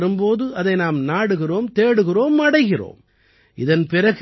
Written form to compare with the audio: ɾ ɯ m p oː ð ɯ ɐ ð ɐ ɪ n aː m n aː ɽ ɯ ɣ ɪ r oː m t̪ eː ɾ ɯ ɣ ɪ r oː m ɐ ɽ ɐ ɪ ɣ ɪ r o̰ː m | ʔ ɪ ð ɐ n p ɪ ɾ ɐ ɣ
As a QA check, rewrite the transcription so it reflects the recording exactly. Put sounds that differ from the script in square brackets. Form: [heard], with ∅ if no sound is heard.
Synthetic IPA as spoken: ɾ ɯ m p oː ð ɯ ɐ ð ɐ ɪ n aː m n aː ɽ ɯ ɣ ɪ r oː m t̪ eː [ɽ] ɯ ɣ ɪ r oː m ɐ ɽ ɐ ɪ ɣ ɪ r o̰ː m | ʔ ɪ ð ɐ n p ɪ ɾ ɐ ɣ